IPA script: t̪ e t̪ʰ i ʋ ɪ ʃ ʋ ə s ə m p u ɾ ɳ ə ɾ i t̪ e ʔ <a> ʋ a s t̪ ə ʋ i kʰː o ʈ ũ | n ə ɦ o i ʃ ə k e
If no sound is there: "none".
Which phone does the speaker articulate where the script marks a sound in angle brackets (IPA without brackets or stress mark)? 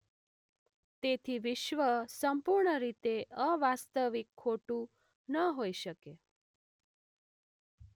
ə